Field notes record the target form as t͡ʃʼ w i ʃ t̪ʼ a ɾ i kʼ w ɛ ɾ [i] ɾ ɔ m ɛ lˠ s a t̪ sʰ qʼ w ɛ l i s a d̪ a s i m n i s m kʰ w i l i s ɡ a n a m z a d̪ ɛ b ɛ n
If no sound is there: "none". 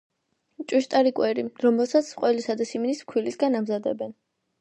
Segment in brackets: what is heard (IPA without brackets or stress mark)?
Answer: i